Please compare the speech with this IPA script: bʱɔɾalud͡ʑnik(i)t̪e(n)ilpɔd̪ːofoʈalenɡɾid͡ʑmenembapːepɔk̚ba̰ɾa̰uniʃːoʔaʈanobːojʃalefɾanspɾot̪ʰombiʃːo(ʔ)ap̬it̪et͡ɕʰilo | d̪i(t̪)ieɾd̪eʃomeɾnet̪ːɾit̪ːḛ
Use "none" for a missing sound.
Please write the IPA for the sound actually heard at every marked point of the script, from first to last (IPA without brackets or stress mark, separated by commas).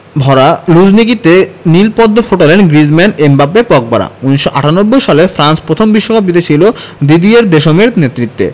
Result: i, n, k, d̪